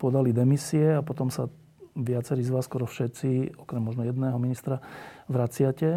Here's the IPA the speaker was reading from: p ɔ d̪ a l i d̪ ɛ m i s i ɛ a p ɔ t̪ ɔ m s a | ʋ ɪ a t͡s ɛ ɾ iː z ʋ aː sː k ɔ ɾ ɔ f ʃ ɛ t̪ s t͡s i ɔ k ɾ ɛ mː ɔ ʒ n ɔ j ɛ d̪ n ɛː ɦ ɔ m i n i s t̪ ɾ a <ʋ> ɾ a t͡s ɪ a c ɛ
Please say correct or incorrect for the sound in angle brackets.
correct